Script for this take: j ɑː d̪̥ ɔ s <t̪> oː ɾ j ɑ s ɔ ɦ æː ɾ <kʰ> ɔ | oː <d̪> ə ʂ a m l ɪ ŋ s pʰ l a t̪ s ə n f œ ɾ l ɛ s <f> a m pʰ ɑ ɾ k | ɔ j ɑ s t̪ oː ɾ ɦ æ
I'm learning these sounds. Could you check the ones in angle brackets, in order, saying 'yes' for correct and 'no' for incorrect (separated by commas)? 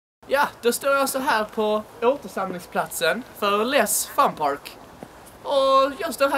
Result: yes, no, no, yes